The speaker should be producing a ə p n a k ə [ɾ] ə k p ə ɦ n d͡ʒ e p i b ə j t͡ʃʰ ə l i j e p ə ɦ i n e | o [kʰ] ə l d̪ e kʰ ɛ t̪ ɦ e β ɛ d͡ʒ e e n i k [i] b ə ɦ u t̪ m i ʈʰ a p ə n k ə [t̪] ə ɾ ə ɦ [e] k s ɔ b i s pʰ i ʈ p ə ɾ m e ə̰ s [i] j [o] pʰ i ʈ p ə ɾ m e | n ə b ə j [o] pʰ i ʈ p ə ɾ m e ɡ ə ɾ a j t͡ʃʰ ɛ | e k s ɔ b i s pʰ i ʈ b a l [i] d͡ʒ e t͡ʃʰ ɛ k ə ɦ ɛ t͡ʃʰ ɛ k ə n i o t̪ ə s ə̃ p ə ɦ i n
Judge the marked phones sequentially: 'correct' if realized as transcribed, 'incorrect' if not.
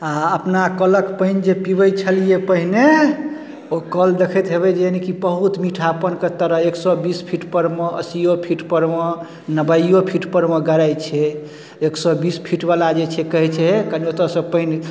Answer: incorrect: l, incorrect: k, correct, correct, correct, correct, correct, correct, incorrect: a

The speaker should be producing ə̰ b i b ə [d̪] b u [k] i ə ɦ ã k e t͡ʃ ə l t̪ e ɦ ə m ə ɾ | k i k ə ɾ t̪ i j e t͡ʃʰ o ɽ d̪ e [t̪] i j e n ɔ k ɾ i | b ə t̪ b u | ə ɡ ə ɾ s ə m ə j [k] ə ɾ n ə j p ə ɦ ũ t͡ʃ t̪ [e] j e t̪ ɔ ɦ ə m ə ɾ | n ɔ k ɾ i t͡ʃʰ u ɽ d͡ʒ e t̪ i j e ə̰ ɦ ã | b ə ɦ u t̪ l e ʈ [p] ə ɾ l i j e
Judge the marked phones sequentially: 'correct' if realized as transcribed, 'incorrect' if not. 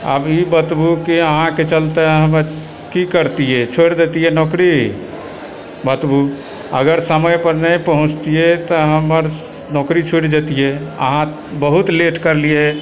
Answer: incorrect: t̪, correct, correct, incorrect: p, incorrect: i, incorrect: k

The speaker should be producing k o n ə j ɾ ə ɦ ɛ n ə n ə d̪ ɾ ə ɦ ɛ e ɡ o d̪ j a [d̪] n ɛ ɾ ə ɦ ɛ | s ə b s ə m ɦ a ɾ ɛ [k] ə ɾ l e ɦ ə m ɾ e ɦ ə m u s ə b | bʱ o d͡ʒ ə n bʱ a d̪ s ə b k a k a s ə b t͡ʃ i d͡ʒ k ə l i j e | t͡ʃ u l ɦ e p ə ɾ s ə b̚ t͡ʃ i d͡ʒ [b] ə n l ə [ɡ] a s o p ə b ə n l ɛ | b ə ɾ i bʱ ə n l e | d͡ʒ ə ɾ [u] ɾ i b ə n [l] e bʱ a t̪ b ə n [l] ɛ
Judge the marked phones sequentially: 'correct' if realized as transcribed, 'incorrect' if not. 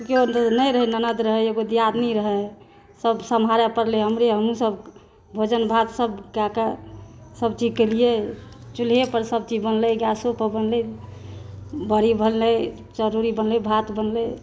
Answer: correct, incorrect: p, correct, correct, correct, correct, correct

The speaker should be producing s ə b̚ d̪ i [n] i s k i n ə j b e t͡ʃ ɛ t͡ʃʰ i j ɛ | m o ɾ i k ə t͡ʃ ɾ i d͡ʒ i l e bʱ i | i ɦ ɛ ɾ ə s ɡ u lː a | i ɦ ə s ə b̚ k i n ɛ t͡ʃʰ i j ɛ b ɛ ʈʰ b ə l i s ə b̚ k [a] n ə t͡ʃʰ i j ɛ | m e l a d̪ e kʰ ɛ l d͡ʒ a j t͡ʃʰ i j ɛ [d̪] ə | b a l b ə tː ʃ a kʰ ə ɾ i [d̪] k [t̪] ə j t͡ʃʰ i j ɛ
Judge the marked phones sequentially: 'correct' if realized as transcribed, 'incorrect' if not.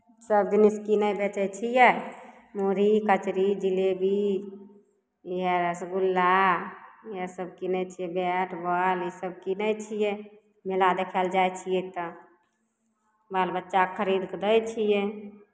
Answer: correct, incorrect: i, incorrect: t̪, correct, incorrect: d̪

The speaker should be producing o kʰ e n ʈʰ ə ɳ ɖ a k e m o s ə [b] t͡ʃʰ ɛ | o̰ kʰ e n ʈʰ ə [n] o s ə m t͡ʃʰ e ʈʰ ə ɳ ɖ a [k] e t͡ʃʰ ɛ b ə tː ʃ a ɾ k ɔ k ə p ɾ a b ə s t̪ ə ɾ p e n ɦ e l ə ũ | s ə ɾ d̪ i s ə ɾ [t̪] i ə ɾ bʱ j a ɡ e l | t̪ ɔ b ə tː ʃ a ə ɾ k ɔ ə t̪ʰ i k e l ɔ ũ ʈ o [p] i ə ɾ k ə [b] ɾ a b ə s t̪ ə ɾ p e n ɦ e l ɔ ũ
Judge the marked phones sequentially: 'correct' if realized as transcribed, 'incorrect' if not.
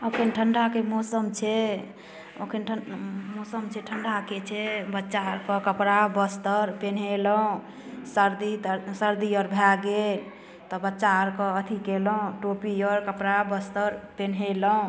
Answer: incorrect: m, incorrect: m, correct, incorrect: d̪, correct, incorrect: p

